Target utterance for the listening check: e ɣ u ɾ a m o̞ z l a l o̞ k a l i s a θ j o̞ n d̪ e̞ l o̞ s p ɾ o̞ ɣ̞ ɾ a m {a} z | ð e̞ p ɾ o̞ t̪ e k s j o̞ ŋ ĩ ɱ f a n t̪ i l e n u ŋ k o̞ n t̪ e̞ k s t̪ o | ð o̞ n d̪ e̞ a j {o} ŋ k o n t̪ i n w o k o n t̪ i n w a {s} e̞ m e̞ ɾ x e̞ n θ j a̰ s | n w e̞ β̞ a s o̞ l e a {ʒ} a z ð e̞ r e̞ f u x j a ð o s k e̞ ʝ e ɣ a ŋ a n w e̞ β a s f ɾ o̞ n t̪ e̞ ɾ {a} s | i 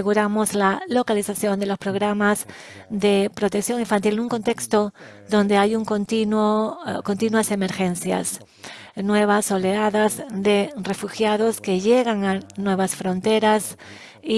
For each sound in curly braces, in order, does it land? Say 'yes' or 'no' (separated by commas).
yes, no, yes, no, yes